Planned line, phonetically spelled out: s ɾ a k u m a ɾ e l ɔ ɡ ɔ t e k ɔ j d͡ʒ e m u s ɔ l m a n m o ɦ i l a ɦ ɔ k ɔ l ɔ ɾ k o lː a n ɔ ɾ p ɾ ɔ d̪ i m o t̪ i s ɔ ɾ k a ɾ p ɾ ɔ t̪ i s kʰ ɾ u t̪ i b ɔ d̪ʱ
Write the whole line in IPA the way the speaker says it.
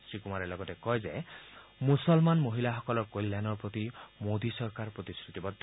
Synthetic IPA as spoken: s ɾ i k u m a ɾ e l ɔ ɡ ɔ t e k ɔ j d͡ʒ e m u s ɔ l m a n m o ɦ i l a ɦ ɔ k ɔ l ɔ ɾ k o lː a n ɔ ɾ p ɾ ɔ t̪ i m o d̪ i s ɔ ɾ k a ɾ p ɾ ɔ t̪ i s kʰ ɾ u t̪ i b ɔ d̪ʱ